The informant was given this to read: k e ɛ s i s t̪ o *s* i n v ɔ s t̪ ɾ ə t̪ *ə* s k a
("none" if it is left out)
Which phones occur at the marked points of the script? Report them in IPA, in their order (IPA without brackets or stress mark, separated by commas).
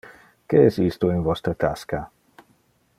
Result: none, a